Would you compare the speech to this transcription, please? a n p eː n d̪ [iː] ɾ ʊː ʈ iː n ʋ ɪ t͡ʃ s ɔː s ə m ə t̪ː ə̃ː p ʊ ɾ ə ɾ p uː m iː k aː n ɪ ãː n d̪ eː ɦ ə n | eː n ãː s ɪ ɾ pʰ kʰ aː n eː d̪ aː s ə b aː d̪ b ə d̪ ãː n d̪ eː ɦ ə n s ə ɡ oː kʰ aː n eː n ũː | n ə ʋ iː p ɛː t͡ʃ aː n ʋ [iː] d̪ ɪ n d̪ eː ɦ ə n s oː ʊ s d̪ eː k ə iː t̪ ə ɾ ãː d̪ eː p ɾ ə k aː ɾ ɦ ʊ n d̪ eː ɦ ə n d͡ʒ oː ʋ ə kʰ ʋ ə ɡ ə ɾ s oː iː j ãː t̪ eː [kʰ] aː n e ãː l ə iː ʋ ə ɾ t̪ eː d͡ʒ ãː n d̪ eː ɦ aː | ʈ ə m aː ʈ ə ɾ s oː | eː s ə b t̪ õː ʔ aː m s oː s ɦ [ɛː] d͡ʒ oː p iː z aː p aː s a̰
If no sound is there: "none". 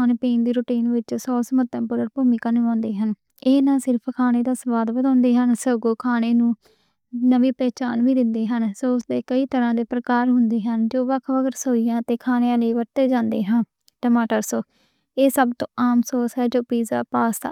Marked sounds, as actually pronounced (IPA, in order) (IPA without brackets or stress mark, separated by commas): iː, iː, kʰ, ɛː